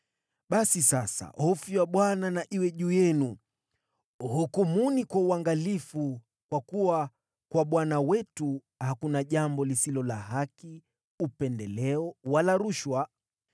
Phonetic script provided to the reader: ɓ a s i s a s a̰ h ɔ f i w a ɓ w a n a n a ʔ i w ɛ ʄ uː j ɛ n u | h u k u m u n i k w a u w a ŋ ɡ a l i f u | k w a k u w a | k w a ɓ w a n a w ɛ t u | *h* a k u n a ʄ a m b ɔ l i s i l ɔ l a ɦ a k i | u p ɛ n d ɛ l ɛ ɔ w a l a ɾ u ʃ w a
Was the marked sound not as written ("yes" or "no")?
no